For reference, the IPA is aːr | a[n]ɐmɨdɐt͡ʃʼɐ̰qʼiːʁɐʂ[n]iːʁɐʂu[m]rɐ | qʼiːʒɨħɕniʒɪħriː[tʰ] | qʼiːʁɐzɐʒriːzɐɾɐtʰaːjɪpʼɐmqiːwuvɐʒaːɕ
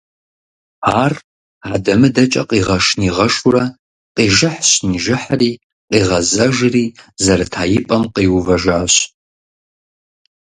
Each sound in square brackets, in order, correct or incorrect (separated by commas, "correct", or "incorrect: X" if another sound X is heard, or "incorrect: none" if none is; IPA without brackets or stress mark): incorrect: d, correct, incorrect: none, incorrect: none